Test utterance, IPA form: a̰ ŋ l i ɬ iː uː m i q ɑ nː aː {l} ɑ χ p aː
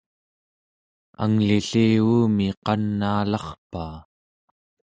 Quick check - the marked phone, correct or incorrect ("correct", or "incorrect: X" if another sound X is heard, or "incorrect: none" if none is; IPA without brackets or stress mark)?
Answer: correct